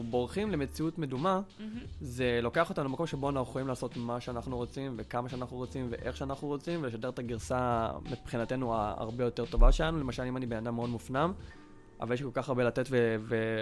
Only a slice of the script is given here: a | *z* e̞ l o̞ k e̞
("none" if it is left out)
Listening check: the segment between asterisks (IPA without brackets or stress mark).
z